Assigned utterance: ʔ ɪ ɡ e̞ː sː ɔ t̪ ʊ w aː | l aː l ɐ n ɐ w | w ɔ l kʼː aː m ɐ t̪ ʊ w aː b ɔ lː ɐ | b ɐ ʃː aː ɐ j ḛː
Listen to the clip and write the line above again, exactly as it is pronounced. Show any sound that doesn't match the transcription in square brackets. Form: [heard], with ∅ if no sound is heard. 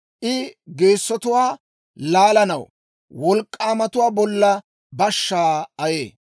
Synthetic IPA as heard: ʔ ɪ ɡ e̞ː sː ɔ t̪ ʊ w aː | l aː l ɐ n ɐ w | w ɔ l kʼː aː m ɐ t̪ ʊ w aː b ɔ lː ɐ | b ɐ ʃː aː ɐ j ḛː